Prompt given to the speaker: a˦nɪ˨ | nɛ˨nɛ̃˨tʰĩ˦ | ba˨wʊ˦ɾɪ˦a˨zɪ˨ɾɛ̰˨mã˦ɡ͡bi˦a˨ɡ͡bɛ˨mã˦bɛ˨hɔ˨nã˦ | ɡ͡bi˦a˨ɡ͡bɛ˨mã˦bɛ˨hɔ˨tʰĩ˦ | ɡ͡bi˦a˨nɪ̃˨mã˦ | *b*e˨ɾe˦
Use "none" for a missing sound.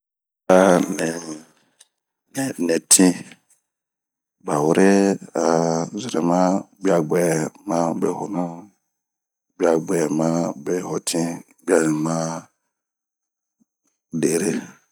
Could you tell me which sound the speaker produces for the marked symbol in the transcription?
d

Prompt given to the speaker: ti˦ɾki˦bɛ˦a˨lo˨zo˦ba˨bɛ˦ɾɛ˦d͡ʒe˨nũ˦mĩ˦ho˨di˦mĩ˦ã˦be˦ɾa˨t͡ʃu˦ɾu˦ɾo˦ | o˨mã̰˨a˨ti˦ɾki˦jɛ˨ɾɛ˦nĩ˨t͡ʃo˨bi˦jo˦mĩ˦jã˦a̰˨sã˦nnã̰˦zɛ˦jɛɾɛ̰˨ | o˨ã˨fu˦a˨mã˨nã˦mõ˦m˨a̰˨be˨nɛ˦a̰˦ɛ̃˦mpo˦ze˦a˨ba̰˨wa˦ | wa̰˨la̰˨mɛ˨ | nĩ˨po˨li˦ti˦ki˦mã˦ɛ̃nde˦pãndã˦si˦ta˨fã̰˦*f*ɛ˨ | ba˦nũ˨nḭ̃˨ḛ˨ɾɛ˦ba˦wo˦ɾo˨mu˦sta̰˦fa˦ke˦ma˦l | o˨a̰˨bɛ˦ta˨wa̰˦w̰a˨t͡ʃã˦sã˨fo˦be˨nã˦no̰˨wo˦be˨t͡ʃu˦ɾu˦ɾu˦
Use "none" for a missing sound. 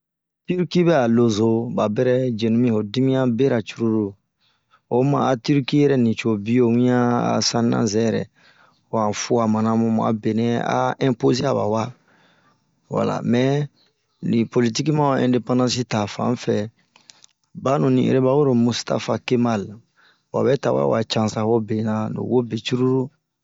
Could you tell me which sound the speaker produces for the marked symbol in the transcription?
f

